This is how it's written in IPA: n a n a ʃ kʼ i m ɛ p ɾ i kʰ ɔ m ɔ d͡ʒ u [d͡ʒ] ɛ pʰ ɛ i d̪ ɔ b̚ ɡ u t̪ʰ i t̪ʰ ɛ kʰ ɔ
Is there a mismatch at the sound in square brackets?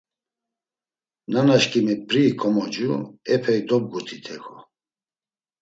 yes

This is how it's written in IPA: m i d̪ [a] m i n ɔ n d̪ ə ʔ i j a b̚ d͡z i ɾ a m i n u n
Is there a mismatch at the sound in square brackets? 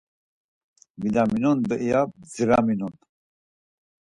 no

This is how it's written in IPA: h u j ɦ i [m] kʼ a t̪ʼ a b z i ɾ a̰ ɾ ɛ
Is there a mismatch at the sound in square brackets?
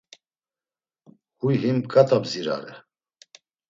no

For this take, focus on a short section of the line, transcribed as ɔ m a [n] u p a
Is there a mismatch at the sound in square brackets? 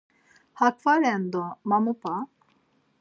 yes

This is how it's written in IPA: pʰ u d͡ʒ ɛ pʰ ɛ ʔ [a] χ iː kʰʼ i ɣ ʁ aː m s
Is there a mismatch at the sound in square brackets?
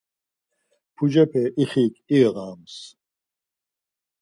yes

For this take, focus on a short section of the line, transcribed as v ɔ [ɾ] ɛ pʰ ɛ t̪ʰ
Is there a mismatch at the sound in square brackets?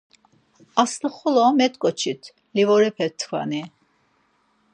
no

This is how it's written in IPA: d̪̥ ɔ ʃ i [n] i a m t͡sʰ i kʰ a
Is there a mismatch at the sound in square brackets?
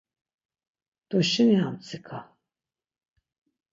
no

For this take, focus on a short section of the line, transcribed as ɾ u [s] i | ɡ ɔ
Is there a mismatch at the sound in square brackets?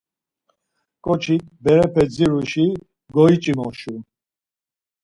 yes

